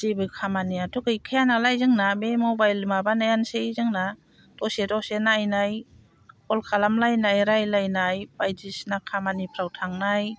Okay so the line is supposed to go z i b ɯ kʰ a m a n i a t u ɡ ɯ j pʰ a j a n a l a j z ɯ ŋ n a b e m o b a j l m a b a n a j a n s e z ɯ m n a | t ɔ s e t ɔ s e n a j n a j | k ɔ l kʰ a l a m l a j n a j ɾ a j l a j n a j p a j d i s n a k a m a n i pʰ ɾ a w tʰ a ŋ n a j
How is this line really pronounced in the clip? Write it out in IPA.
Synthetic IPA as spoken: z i b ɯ kʰ a m a n i a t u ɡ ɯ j kʰ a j a n a l a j z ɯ ŋ n a b e m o b a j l m a b a n a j a n s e z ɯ ŋ n a | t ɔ s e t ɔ s e n a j n a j | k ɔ l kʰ a l a m l a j n a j ɾ a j l a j n a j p a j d i s n a kʰ a m a n i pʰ ɾ a w tʰ a ŋ n a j